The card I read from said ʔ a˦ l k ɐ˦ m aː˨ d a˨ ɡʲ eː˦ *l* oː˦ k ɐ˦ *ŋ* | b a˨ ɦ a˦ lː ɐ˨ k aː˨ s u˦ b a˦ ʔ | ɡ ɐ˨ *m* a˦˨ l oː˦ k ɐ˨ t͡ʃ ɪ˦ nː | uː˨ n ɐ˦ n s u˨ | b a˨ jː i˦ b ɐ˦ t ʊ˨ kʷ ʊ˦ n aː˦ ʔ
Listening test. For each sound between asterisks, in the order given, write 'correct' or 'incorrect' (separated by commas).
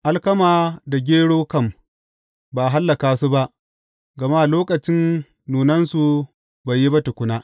incorrect, incorrect, correct